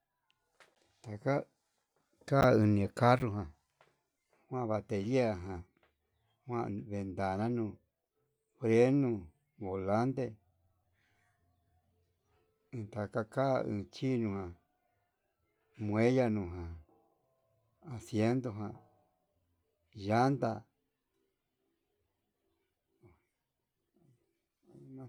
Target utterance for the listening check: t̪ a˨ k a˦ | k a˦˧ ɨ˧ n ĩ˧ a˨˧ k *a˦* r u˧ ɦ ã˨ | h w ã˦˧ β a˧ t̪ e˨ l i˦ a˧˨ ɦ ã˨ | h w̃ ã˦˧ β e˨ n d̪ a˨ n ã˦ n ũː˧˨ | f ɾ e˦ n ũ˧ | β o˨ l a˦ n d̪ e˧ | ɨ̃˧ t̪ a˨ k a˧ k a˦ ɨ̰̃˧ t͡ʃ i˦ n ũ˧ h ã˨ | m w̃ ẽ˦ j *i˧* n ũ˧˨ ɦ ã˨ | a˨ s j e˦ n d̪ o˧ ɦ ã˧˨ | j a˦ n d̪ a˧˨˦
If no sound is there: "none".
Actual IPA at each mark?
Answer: a˦, a˧

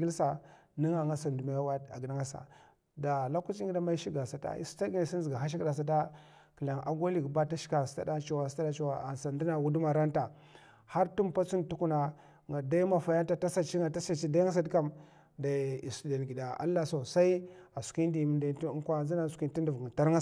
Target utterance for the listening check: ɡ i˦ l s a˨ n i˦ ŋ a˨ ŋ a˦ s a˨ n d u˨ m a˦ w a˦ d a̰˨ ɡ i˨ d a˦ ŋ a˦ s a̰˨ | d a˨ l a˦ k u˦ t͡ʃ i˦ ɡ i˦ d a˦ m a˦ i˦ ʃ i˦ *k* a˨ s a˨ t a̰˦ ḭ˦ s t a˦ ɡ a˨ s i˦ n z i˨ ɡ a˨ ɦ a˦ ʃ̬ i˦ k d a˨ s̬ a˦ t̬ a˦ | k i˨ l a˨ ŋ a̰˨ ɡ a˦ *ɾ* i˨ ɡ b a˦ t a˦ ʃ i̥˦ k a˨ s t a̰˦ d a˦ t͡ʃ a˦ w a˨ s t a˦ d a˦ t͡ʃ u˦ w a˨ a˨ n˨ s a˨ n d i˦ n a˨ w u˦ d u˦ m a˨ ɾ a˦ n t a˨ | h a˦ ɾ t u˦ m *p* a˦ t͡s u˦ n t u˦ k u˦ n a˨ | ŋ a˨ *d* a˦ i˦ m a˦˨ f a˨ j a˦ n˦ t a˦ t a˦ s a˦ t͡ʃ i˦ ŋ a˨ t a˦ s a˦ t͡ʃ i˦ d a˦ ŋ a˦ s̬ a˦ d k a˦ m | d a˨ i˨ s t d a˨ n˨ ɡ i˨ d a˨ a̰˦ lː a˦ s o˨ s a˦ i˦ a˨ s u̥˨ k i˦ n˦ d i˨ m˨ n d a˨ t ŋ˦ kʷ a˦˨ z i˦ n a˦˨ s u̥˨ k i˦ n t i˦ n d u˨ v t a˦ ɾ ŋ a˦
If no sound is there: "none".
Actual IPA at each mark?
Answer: ɡ, l, p, d

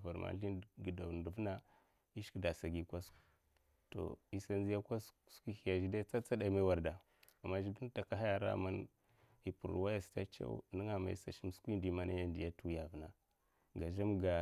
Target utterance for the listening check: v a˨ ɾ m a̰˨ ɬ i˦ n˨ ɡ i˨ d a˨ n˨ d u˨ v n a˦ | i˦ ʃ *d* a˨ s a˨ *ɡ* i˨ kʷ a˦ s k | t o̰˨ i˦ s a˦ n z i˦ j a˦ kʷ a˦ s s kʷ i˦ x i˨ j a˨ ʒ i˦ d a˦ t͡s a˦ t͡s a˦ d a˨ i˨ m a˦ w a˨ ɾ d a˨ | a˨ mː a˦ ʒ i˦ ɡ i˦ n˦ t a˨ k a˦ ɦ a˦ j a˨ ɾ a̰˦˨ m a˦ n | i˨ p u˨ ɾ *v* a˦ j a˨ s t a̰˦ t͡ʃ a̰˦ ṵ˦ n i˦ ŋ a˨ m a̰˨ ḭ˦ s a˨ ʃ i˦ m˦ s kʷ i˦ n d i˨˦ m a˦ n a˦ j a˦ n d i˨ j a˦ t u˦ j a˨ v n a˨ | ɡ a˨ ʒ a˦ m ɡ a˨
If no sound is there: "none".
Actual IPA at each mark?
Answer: d, ɡ, w

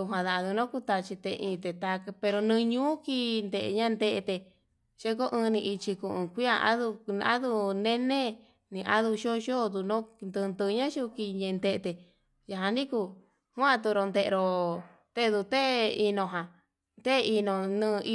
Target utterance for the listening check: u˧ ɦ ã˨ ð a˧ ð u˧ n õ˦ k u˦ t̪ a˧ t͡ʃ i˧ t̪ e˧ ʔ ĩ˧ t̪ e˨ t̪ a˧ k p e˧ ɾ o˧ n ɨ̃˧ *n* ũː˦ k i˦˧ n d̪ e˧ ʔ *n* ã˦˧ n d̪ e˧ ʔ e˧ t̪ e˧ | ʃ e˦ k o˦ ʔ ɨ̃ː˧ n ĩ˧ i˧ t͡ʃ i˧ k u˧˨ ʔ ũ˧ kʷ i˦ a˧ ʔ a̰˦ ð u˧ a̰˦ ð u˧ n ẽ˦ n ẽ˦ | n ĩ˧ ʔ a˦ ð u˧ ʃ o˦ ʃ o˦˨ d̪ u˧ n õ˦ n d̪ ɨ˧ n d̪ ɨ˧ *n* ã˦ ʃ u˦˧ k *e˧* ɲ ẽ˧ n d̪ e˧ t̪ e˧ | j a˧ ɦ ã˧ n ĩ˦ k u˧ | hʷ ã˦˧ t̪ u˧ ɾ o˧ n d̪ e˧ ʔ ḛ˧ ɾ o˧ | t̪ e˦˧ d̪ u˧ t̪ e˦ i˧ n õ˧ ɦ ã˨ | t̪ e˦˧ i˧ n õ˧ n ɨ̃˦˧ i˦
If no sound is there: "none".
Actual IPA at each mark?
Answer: ɲ, ɲ, ɲ, i˧

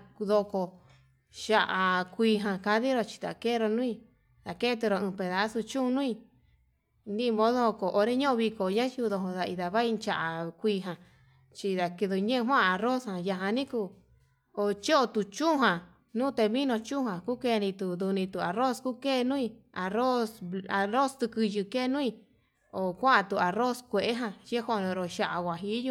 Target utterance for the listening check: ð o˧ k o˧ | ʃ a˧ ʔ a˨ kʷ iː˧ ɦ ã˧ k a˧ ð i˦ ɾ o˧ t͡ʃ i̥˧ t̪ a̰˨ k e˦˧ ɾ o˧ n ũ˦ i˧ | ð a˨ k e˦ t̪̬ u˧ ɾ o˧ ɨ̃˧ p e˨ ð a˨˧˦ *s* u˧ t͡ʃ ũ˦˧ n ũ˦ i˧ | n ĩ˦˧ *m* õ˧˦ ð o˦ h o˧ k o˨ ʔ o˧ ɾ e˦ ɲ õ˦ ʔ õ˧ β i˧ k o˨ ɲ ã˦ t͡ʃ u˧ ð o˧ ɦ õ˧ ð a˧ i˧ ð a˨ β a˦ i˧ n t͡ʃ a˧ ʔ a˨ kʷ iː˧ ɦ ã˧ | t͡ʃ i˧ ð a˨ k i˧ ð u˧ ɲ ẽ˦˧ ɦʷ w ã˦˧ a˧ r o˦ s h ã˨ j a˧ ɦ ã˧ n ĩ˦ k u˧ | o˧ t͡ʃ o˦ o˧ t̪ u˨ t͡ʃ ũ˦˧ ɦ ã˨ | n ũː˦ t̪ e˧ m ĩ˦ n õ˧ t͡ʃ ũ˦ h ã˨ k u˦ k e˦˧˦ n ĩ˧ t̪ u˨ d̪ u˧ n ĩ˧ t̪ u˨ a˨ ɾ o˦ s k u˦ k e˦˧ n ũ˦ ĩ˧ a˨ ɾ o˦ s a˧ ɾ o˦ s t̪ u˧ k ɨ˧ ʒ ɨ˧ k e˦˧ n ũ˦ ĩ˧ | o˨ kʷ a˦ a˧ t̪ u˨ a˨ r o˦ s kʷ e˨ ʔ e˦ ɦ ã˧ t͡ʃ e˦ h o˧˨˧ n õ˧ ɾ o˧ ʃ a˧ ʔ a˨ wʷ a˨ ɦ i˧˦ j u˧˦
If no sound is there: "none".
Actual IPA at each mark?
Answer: s, m

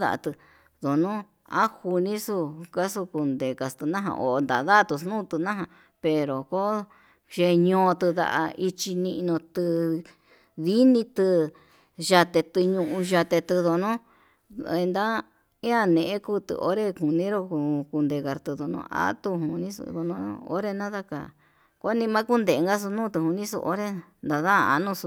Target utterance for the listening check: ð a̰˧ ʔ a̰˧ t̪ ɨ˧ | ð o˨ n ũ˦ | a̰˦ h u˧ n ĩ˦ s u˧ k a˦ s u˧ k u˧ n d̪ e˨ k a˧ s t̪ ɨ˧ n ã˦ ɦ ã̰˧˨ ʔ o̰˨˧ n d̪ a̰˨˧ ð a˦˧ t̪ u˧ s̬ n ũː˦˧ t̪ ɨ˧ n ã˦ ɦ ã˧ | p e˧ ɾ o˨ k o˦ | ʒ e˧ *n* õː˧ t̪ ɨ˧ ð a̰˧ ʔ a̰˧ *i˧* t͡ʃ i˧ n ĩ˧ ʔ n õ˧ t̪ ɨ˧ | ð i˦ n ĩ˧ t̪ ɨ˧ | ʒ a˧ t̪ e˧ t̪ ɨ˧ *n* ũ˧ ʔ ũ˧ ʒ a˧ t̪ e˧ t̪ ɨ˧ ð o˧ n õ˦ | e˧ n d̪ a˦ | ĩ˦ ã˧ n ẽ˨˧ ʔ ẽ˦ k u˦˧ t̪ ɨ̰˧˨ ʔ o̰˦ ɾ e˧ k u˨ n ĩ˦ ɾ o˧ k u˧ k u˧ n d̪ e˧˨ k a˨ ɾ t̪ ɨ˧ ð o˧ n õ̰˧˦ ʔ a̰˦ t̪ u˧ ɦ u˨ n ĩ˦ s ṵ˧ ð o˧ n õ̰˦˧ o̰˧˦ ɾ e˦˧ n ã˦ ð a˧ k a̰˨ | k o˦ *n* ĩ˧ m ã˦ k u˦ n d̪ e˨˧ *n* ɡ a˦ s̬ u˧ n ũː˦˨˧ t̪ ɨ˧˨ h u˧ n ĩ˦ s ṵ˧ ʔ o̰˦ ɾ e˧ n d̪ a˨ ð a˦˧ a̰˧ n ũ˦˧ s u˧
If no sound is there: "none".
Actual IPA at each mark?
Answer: ɲ, i˧, ɲ, n, ŋ

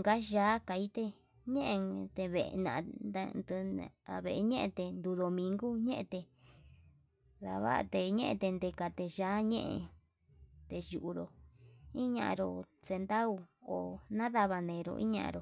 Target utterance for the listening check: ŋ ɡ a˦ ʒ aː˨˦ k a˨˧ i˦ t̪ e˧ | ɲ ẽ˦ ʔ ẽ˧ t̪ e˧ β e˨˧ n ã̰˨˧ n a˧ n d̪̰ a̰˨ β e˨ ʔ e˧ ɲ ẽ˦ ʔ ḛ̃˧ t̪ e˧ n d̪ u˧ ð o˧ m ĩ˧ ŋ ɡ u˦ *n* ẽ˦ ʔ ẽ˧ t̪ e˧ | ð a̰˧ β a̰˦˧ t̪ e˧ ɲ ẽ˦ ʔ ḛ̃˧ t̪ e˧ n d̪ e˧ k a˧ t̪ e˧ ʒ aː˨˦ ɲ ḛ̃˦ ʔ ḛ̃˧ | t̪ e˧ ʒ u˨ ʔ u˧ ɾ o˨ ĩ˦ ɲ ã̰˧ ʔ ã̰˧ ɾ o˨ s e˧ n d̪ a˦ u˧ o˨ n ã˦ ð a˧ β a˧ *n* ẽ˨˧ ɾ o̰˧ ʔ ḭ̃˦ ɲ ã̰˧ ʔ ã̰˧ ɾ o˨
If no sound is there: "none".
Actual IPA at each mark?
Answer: ɲ, n

